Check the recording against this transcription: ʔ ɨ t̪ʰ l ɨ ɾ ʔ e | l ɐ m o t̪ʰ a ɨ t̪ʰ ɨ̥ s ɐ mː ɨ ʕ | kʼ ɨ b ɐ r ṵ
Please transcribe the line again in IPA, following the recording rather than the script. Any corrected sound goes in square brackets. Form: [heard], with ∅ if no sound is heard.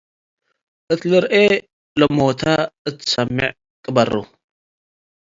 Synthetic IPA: ʔ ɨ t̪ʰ l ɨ ɾ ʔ e | l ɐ m o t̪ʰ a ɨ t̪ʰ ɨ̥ s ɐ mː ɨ ʕ | kʼ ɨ b ɐ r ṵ